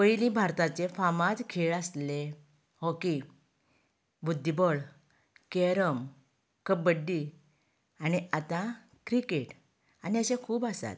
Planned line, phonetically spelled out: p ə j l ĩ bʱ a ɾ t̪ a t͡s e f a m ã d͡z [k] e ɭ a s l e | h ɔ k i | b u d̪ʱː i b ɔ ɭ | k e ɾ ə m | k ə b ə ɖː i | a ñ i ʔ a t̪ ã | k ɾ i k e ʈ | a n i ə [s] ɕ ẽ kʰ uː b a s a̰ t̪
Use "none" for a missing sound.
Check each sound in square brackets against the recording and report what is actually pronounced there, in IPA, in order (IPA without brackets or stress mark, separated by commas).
kʰ, none